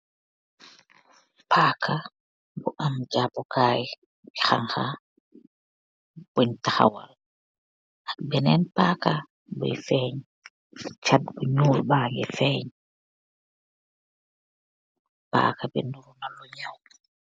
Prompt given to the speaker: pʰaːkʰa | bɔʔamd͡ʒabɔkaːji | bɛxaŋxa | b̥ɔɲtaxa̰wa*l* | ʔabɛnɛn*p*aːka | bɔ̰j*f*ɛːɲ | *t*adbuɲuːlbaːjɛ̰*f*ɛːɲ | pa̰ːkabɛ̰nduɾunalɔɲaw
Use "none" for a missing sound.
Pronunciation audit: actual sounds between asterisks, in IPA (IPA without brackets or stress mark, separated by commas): l, p, f, t͡ʃ, f